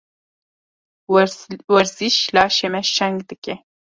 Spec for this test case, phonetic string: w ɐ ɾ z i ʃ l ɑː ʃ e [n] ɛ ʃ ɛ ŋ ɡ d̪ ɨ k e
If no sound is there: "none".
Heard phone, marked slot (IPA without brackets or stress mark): m